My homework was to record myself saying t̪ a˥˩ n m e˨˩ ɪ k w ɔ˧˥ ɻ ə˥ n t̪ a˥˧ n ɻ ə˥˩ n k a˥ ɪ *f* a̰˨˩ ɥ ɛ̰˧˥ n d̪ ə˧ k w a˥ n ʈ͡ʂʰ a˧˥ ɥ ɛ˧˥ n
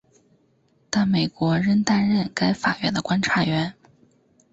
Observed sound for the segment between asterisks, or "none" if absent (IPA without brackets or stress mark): f